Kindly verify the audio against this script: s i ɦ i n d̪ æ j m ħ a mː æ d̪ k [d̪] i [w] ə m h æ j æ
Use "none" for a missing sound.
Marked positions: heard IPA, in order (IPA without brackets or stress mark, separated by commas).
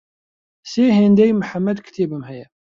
t̪, b